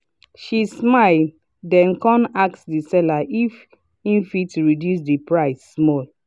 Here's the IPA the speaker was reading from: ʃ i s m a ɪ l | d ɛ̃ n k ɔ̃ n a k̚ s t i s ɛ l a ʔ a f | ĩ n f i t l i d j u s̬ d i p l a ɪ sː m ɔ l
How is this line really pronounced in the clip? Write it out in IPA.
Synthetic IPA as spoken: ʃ i s m a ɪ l | d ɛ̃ n k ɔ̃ n a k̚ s d i s ɛ l a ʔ i f | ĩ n f i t ɹ i d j u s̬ d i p ɹ a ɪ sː m ɔ l